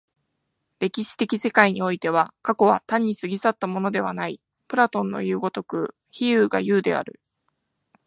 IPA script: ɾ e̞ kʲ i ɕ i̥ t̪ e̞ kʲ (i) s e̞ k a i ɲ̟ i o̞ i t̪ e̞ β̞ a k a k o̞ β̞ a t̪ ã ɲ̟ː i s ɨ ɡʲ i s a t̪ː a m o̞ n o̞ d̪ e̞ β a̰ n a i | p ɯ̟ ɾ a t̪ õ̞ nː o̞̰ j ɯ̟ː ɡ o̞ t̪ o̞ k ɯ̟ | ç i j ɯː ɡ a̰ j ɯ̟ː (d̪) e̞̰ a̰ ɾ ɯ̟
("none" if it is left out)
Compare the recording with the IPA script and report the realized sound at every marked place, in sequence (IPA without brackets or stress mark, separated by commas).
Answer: i, d̪